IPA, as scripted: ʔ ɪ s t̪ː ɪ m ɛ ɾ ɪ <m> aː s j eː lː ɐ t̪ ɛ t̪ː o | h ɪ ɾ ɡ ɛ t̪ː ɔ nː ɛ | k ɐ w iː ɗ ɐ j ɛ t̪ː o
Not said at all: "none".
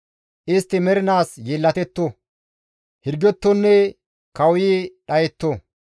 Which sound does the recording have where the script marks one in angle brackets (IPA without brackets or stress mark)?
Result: n